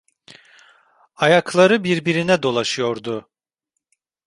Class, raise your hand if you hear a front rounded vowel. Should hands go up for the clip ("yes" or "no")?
no